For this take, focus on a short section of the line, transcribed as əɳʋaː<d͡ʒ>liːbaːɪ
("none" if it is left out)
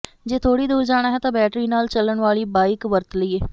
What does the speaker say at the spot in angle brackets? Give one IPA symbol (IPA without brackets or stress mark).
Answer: none